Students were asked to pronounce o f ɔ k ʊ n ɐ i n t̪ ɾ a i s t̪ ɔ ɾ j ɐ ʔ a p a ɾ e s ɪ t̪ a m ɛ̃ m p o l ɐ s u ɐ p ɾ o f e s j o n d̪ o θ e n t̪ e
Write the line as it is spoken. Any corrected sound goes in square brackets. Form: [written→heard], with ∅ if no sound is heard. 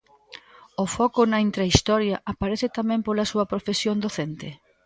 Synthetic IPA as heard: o f ɔ k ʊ n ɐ i n t̪ ɾ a i s t̪ ɔ ɾ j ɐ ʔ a p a ɾ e [s→θ] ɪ t̪ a m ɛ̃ m p o l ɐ s u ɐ p ɾ o f e s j o n d̪ o θ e n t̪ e

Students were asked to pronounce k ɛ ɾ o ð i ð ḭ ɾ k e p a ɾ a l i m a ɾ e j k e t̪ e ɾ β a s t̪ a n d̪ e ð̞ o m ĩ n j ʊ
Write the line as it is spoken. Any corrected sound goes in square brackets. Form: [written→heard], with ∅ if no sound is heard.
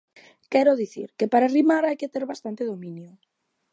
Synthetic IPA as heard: k ɛ ɾ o ð i [ð→θ] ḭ ɾ k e p a ɾ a [l→r] i m a ɾ [e→a] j k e t̪ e ɾ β a s t̪ a n [d̪→t̪] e ð̞ o m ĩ n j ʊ

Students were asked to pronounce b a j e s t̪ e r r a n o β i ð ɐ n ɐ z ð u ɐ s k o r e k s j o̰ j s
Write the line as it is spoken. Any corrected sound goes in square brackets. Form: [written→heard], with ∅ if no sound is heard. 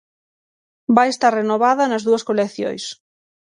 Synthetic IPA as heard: b a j e s t̪ [e→a] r r [a→e] n o β [i→a] ð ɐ n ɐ z ð u ɐ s k o [r→l] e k [s→θ] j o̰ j s

